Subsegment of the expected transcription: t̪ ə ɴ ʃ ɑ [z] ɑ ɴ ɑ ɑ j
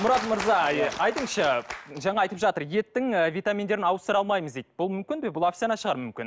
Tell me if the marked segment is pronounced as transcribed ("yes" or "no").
no